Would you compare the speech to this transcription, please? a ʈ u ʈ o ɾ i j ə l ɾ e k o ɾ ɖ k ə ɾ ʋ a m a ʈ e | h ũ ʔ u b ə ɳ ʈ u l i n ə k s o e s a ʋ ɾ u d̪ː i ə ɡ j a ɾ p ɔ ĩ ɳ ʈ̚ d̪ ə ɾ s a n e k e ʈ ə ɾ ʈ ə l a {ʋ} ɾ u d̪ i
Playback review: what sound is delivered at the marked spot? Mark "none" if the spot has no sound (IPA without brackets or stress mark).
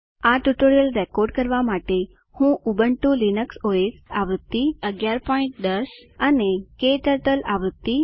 ʋ